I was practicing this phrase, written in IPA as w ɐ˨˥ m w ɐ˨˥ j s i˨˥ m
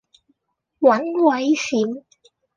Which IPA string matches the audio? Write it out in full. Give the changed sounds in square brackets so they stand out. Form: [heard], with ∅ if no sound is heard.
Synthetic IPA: w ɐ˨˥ [n] w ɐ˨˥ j s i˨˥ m